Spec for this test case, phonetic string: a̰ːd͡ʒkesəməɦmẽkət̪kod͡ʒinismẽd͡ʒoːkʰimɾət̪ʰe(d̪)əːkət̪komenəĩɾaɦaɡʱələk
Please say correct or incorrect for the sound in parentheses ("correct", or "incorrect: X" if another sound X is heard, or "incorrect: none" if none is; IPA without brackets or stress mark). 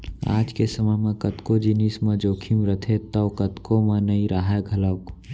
incorrect: t̪